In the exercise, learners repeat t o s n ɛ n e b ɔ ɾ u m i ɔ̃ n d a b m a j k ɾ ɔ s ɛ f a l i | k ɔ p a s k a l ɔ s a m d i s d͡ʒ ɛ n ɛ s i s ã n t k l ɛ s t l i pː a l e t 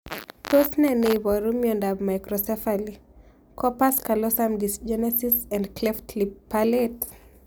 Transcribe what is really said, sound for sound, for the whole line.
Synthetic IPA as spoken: t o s n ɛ n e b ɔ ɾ u m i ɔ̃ n d a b m a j k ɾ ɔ s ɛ f a l i | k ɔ p a s k a l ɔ s a m d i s d͡ʒ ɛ n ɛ s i s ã n d k l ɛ f t l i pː a l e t